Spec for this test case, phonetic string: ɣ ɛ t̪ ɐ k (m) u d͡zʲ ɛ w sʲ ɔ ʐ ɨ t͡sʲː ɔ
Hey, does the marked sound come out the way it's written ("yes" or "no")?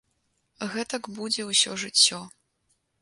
no